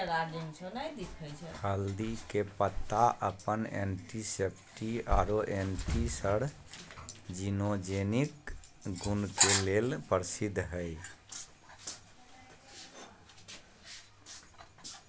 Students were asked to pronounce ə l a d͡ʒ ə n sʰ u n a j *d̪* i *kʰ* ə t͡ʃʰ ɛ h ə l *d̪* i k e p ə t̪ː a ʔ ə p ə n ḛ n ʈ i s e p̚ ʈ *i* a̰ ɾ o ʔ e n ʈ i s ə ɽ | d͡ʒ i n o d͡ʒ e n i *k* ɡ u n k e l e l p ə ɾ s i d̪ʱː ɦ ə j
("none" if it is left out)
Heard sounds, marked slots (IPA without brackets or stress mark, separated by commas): d̪, kʰ, d̪, i, k